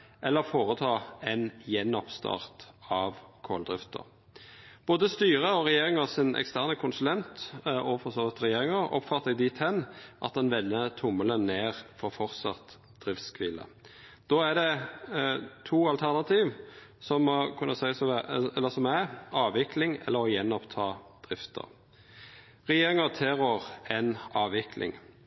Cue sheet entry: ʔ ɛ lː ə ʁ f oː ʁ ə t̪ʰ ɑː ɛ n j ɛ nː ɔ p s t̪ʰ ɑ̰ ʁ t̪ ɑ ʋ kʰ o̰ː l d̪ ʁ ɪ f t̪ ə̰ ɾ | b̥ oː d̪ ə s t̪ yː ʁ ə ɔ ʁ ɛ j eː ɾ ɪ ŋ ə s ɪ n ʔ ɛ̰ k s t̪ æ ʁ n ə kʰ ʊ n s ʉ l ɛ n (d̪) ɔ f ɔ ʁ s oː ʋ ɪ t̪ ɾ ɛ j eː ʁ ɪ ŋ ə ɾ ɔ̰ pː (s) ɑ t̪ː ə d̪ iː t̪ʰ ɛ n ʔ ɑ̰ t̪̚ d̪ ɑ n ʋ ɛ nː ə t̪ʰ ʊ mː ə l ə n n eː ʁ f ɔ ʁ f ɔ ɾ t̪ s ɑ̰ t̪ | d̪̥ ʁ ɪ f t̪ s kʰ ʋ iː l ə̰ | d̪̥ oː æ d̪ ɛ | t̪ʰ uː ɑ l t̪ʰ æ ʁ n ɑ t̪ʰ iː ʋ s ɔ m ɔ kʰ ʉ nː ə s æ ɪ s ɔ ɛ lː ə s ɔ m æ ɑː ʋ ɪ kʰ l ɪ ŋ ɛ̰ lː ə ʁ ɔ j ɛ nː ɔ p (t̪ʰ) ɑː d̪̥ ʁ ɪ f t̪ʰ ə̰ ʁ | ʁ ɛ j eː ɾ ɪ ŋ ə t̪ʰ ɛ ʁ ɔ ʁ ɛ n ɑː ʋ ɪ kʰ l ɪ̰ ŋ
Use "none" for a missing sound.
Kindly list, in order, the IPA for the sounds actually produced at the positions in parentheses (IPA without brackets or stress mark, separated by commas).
t̪, f, t̪ʰ